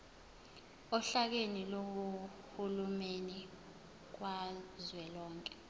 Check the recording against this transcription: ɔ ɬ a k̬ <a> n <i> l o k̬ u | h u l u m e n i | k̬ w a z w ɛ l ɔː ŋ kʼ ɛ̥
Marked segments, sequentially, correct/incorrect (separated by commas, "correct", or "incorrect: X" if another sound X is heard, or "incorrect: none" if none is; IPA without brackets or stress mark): incorrect: e, correct